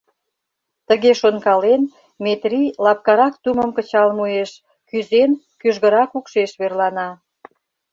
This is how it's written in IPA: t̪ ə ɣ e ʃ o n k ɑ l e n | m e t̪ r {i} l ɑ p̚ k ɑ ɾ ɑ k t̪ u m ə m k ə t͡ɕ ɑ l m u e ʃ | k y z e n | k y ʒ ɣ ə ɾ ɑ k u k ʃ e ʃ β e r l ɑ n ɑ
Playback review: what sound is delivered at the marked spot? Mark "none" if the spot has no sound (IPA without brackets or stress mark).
i